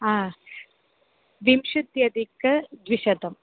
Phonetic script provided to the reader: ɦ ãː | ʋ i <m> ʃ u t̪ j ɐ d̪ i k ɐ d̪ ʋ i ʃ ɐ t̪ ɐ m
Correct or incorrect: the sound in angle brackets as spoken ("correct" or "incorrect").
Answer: correct